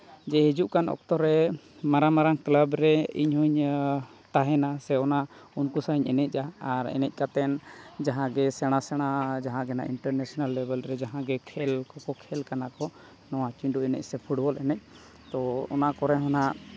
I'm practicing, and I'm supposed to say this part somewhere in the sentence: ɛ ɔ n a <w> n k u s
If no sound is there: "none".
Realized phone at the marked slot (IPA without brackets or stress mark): u